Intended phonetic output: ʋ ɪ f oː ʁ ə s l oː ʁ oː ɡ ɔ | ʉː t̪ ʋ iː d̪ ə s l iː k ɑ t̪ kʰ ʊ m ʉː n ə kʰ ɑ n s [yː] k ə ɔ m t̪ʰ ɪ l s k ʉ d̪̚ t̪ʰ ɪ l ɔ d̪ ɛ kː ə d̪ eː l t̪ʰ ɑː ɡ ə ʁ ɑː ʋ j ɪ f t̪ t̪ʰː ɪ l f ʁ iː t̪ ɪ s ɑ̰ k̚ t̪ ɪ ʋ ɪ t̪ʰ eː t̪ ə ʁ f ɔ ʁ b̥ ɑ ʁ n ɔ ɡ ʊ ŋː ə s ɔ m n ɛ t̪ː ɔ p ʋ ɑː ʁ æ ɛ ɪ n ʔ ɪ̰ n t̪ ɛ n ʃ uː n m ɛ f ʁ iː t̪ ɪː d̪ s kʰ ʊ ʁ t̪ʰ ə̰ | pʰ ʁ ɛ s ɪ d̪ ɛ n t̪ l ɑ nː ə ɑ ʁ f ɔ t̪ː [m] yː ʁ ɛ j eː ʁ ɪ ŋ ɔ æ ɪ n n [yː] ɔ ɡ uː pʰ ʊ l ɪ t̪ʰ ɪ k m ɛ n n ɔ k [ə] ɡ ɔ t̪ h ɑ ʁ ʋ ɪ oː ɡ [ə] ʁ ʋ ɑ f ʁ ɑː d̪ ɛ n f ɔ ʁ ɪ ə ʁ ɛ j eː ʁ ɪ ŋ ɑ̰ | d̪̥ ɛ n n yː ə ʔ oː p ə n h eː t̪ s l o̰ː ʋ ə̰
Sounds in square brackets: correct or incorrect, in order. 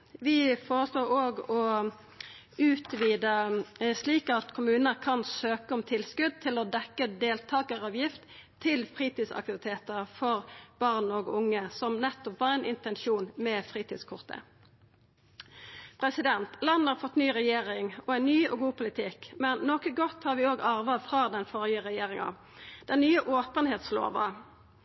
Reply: incorrect: øː, incorrect: n, correct, correct, incorrect: ɑ

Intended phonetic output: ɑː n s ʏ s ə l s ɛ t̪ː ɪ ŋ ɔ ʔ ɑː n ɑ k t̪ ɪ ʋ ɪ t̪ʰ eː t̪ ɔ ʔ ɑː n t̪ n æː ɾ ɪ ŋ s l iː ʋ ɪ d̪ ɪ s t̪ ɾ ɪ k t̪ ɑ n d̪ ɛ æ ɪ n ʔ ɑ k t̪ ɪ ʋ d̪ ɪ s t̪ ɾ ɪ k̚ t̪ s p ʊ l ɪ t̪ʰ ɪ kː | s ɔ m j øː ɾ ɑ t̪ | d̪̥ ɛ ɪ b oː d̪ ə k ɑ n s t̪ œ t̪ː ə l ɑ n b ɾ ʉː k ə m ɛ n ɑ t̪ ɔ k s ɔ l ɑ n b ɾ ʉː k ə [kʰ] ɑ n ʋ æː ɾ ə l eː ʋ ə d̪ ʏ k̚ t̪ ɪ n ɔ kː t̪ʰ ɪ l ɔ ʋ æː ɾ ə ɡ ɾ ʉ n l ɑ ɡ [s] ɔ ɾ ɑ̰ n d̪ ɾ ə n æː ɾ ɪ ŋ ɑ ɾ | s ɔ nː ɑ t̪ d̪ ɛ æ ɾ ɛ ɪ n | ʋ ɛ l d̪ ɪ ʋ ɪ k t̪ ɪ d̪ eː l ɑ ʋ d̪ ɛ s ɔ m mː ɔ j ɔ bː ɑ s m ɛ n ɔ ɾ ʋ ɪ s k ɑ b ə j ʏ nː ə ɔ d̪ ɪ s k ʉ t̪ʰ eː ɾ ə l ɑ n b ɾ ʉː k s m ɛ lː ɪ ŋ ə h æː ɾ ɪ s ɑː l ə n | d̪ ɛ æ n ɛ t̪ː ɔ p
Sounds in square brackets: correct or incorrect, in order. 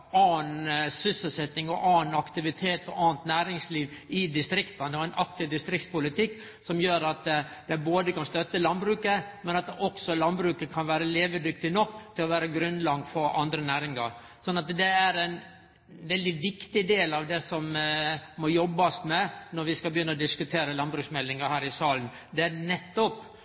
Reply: correct, incorrect: f

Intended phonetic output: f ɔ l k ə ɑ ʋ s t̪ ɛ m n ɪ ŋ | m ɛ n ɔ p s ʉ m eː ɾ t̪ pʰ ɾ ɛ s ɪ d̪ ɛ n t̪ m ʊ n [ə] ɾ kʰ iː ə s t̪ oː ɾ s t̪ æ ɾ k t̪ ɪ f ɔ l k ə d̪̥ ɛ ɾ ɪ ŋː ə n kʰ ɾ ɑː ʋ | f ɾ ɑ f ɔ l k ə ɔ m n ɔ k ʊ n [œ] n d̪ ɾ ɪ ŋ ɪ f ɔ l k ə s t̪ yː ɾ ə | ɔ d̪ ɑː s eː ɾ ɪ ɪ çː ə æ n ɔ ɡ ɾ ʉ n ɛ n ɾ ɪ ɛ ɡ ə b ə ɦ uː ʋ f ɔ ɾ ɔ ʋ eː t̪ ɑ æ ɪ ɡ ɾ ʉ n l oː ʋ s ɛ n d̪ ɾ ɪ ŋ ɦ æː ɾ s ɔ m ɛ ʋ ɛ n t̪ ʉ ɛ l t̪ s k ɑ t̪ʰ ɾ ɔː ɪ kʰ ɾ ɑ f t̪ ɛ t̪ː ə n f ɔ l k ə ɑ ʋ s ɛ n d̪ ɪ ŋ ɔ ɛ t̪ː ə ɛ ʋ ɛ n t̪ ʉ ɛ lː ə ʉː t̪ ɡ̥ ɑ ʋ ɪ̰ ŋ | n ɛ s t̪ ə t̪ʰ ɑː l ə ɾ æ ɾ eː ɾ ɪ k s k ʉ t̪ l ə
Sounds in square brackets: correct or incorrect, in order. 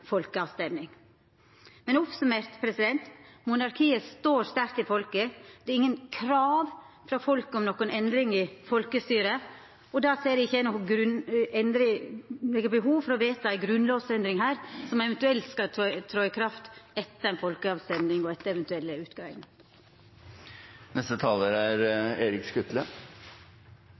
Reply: incorrect: ɑ, incorrect: ɛ

